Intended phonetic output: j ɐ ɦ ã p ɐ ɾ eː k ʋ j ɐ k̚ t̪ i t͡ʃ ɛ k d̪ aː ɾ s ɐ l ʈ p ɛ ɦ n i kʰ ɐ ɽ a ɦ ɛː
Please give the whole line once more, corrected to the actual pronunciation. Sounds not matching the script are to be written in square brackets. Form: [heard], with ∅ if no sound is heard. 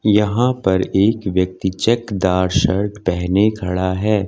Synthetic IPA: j ɐ ɦ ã p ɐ ɾ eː k ʋ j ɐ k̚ t̪ i t͡ʃ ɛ k d̪ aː ɾ [ʃ] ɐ [ɾ] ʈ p ɛ ɦ n [e] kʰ ɐ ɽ a ɦ ɛː